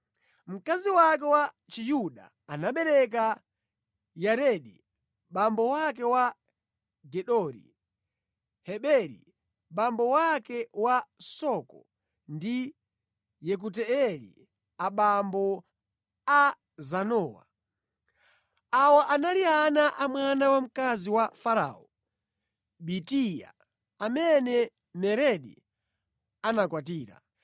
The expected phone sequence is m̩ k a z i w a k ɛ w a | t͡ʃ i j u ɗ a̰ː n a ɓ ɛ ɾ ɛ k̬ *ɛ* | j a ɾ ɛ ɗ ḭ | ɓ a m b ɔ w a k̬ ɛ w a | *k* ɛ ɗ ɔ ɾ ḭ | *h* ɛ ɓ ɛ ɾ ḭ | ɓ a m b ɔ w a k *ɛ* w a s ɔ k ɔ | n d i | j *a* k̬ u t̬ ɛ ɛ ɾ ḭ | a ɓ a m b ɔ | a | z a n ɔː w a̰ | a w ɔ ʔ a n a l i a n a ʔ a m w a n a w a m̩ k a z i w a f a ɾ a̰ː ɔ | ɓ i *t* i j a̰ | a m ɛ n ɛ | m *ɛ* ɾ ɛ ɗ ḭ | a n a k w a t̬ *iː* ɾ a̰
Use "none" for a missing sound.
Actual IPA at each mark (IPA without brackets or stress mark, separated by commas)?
a, ɡ, h, ɛ, ɛ, t, ɛ, iː